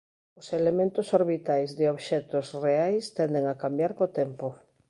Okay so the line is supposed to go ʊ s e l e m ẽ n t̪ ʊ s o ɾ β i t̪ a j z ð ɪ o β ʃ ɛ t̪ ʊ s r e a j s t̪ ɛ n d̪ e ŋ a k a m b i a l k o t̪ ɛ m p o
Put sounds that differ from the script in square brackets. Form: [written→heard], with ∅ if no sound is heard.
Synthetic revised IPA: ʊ s e l e m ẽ n t̪ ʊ s o ɾ β i t̪ a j z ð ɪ o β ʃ ɛ t̪ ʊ s r e a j s t̪ ɛ n d̪ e ŋ a k a m b [i→j] a [l→ɾ] k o t̪ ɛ m p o